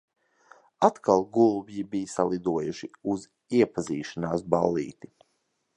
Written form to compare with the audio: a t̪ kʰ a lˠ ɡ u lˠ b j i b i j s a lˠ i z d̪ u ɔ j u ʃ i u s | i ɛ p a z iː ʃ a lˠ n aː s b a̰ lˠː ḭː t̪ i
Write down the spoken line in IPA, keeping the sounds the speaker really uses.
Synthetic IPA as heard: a t̪ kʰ a lˠ ɡ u lˠ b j i b i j s a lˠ i d̪ u ɔ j u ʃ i u z | i ɛ p a z iː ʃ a n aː s b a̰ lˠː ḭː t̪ i